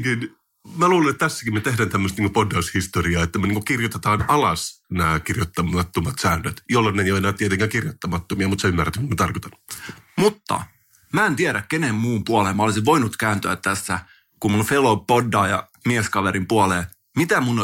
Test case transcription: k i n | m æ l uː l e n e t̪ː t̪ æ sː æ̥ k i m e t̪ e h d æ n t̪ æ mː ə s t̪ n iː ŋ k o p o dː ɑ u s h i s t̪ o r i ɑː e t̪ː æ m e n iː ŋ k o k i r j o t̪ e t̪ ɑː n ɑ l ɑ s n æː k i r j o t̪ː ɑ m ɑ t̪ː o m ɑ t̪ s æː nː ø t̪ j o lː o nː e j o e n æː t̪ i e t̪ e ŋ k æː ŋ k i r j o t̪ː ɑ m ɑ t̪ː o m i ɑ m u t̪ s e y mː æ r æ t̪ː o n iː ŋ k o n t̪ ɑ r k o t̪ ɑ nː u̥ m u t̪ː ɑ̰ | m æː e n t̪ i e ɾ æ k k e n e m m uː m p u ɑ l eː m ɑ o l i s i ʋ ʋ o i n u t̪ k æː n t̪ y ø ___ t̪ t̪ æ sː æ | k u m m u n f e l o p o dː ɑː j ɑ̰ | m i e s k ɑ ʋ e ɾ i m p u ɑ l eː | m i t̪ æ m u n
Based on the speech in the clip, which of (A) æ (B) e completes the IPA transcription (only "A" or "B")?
A